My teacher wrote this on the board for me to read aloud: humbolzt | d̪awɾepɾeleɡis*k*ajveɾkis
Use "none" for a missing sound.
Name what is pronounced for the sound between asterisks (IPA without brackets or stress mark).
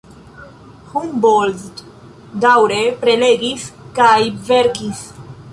k